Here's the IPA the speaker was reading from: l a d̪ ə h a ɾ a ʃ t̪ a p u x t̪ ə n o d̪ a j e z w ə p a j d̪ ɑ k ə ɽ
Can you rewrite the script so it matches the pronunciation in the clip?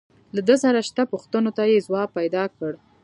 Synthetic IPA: l a d̪ ə s a ɾ a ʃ t̪ a p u x t̪ ə n o t̪ a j e z w ɑ p a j d̪ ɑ k ə ɽ